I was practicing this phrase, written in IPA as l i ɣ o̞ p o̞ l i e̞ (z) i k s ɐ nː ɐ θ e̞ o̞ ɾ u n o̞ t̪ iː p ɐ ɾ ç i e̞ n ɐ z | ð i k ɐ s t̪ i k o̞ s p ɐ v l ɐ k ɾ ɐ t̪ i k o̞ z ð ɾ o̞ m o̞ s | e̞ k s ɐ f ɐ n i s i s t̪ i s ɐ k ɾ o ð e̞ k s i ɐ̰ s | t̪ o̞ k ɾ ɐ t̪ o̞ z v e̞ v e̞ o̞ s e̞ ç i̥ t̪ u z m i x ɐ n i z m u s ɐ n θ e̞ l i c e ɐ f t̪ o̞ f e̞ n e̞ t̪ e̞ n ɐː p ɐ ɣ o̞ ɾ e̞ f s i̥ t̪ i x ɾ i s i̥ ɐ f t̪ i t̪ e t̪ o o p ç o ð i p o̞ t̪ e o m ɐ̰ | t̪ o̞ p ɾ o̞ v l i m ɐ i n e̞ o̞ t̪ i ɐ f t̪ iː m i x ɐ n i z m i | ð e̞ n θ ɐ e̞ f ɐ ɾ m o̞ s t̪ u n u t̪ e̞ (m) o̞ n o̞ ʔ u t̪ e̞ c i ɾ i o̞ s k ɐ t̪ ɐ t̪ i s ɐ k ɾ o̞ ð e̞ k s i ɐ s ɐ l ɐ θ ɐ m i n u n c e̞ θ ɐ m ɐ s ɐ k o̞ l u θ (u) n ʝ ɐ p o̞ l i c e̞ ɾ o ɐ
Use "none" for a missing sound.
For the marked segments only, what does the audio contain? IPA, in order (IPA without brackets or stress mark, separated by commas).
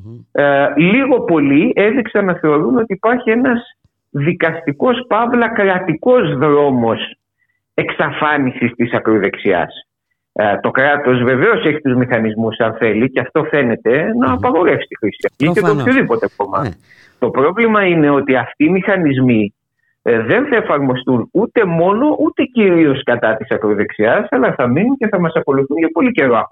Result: ð, m, u